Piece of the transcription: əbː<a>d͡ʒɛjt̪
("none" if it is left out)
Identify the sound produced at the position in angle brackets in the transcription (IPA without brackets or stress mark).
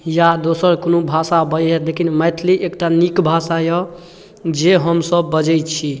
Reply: ə